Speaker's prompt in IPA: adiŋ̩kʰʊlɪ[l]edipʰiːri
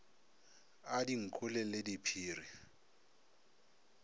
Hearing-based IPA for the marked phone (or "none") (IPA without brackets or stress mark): l